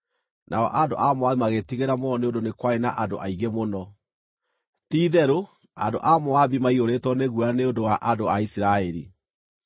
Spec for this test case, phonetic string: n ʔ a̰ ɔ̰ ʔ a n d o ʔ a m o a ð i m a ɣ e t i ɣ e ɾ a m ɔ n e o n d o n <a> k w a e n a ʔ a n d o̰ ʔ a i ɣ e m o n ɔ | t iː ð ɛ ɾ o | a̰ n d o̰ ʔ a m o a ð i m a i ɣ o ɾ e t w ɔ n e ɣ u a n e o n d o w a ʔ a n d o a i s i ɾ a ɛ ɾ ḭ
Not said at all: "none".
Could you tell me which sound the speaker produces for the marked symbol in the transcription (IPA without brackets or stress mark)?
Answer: e